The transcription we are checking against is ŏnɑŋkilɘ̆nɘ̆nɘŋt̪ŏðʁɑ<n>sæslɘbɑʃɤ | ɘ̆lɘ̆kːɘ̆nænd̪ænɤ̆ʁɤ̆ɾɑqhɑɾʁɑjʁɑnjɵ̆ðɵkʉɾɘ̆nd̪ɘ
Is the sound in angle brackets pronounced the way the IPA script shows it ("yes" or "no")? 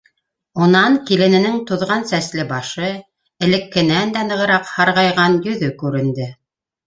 yes